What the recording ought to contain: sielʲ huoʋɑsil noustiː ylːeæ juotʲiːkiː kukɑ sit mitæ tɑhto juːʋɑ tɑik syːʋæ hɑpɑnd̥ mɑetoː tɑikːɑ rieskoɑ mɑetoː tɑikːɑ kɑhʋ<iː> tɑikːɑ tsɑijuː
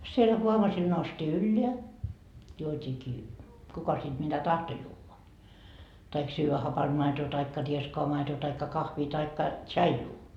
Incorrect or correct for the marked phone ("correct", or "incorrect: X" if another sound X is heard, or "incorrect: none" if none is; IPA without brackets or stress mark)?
correct